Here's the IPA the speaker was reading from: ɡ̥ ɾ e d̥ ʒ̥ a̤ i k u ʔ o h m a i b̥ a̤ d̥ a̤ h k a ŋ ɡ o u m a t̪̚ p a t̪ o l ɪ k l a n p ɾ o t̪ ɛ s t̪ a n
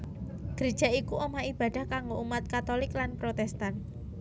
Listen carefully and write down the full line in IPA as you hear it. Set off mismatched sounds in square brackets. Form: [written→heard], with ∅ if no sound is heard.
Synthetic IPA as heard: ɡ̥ ɾ e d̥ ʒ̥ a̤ i k u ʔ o [h→∅] m a i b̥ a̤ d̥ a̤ h k a ŋ ɡ o u m a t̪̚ [p→k] a t̪ o l ɪ k l a n p ɾ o t̪ ɛ s t̪ a n